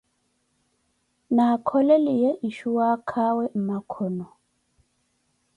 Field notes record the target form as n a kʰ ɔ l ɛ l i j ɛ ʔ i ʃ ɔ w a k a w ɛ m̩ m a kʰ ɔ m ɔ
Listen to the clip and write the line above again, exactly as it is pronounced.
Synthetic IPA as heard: n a kʰ ɔ l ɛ l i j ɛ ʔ i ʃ u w a kʰ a w ɛ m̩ m a kʰ ɔ n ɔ